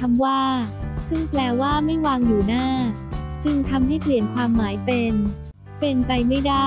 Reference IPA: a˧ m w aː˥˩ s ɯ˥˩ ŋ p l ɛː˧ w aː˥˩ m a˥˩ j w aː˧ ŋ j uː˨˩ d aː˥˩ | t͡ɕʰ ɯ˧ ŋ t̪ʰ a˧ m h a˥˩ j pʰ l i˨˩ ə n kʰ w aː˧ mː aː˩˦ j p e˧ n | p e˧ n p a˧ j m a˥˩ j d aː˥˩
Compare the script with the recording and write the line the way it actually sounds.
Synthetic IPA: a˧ m w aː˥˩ s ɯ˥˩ ŋ p l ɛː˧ w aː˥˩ m a˥˩ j w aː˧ ŋ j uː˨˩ n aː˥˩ | t͡ɕ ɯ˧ ŋ t̪ʰ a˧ m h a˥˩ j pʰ l i˨˩ ə n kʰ w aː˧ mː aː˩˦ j p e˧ n | p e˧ n p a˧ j m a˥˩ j d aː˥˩